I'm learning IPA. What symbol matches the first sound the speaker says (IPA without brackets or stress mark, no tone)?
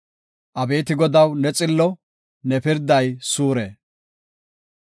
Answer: ʔ